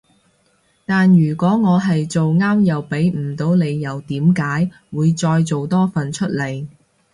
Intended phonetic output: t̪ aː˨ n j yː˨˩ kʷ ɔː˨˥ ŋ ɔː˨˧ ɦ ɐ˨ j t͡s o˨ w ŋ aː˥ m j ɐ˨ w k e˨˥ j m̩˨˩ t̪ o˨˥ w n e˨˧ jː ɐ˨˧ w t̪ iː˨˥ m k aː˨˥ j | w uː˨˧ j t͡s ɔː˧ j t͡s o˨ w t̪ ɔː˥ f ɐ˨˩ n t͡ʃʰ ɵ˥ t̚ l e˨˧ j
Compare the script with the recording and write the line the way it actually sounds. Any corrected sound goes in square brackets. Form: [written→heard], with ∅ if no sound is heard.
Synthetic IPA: t̪ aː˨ n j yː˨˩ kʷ ɔː˨˥ ŋ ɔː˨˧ ɦ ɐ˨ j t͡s o˨ w ŋ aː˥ m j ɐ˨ w [k→p] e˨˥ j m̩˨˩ t̪ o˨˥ w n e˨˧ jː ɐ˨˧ w t̪ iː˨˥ m k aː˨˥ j | w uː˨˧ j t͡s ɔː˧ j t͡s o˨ w t̪ ɔː˥ f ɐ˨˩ n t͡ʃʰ ɵ˥ t̚ l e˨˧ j